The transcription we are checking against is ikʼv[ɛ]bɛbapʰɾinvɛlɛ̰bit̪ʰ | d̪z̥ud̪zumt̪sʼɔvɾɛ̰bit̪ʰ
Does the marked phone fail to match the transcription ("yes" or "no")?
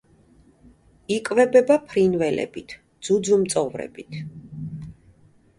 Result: no